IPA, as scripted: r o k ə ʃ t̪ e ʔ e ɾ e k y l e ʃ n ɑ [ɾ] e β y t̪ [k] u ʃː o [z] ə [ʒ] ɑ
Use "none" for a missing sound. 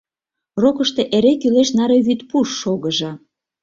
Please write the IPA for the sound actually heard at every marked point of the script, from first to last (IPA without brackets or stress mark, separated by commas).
ɾ, p, ɣ, ʒ